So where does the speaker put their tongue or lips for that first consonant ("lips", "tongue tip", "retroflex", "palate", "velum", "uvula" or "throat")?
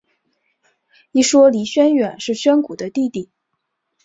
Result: retroflex